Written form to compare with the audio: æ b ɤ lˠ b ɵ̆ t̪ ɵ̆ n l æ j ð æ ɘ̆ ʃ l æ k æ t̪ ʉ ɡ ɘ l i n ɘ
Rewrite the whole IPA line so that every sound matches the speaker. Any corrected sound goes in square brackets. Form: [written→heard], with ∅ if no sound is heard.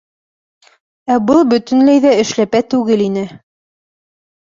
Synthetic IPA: æ b ɤ lˠ b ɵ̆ t̪ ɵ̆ n l æ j ð æ ɘ̆ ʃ l æ [k→p] æ t̪ ʉ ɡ ɘ l i n ɘ

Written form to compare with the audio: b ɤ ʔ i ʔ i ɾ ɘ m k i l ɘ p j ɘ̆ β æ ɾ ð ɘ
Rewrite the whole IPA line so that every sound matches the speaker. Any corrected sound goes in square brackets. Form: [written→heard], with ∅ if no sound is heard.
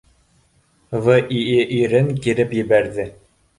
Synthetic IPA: [b→v] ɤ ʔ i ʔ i ɾ ɘ [m→ŋ] k i [l→ɾ] ɘ p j ɘ̆ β æ ɾ ð ɘ

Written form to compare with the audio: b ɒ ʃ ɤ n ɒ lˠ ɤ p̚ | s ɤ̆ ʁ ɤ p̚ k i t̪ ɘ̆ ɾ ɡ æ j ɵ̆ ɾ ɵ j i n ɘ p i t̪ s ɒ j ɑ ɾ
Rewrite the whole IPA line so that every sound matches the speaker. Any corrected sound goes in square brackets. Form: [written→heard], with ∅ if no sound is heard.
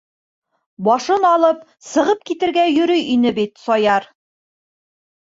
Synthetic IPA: b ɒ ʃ ɤ n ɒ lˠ ɤ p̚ | s ɤ̆ ʁ ɤ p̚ k i t̪ ɘ̆ ɾ ɡ æ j ɵ̆ ɾ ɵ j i n ɘ [p→b] i t̪ s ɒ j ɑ ɾ

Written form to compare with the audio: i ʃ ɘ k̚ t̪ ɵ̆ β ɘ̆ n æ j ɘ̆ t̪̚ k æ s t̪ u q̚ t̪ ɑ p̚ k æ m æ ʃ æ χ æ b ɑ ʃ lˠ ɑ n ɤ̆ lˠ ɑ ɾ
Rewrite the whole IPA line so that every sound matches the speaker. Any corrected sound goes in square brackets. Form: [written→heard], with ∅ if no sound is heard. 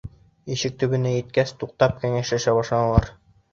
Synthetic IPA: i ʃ ɘ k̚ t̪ ɵ̆ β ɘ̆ n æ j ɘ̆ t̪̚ k æ s t̪ u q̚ t̪ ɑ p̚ k æ [m→ŋ] æ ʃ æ [χ→ʃ] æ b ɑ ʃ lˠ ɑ n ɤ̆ lˠ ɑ ɾ

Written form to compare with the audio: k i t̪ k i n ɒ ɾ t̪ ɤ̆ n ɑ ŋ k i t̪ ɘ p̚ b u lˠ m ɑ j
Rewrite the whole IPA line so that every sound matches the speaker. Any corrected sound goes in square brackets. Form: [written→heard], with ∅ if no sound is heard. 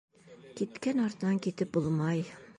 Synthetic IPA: k i t̪ k [i→æ] n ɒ ɾ t̪ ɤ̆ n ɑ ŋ k i t̪ ɘ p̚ b u lˠ m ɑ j

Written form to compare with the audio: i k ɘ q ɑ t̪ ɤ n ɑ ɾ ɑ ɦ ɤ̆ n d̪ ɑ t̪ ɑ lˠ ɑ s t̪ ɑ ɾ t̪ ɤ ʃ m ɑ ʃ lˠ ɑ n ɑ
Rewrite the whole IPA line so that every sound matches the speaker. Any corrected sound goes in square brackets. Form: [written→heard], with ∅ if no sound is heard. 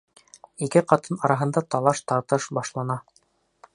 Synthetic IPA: i k ɘ q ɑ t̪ ɤ n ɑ ɾ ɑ ɦ ɤ̆ n d̪ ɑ t̪ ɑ lˠ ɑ [s→ʃ] t̪ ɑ ɾ t̪ ɤ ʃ [m→b] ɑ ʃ lˠ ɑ n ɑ

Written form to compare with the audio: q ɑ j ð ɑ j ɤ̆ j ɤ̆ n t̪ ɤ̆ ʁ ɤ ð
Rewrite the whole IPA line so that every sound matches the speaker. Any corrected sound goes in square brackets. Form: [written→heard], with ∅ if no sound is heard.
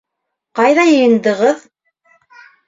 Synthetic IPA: q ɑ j ð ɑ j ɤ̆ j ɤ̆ n [t̪→d̪] ɤ̆ ʁ ɤ ð

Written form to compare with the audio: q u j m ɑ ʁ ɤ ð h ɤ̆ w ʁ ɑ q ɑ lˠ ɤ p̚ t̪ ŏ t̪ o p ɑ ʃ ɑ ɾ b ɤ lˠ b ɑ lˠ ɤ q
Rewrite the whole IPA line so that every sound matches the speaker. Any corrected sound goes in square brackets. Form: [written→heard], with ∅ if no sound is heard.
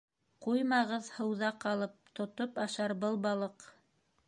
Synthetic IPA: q u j m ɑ ʁ ɤ ð h ɤ̆ w [ʁ→ð] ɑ q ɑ lˠ ɤ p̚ t̪ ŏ t̪ o p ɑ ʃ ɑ ɾ b ɤ lˠ b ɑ lˠ ɤ q

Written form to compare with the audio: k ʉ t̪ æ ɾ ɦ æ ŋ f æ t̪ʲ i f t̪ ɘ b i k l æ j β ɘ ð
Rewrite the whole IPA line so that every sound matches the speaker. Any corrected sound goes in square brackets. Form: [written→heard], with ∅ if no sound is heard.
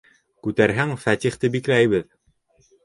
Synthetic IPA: k ʉ t̪ æ ɾ ɦ æ ŋ f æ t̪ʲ i [f→χ] t̪ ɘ b i k l æ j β ɘ ð

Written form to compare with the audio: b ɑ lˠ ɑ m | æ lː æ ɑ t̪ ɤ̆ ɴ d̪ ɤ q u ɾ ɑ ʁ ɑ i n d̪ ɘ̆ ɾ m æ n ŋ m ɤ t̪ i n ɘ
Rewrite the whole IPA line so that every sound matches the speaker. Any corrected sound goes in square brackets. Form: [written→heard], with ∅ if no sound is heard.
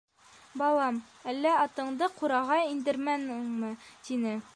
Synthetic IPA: b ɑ lˠ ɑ m | æ lː æ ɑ t̪ ɤ̆ ɴ d̪ ɤ q u ɾ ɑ ʁ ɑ i n d̪ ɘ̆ ɾ m æ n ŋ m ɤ t̪ i n ɘ

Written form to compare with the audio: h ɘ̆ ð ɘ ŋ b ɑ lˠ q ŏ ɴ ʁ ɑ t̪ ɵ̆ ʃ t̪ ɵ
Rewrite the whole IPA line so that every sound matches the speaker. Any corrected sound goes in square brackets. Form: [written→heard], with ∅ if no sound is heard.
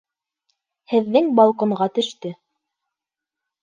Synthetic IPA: h ɘ̆ [ð→ðː] ɘ ŋ b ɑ lˠ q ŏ ɴ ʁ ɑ t̪ ɵ̆ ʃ t̪ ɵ

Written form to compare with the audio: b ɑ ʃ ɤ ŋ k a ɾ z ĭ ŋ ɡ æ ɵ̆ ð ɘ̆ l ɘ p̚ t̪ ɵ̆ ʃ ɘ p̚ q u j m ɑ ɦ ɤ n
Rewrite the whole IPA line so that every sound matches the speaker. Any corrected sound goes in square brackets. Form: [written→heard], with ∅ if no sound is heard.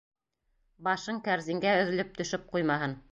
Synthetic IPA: b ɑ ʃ ɤ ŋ k [a→æ] ɾ z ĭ ŋ ɡ æ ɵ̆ ð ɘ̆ l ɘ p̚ t̪ ɵ̆ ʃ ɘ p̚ q u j m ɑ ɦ ɤ n

